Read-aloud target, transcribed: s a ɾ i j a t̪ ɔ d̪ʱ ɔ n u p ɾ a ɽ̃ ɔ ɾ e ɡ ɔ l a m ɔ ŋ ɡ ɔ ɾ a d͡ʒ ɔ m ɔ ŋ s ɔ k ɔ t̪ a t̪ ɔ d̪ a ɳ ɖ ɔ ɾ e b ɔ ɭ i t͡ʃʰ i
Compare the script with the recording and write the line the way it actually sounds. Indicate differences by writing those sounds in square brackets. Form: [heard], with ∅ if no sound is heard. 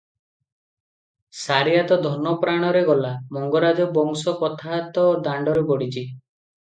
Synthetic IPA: s a ɾ i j a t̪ ɔ d̪ʱ ɔ n [ɔ] p ɾ a ɽ̃ ɔ ɾ e ɡ ɔ l a m ɔ ŋ ɡ ɔ ɾ a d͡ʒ ɔ [b] ɔ ŋ s ɔ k ɔ [t̪ʰ] a t̪ ɔ d̪ a ɳ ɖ ɔ ɾ e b ɔ [ɽ] i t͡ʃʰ i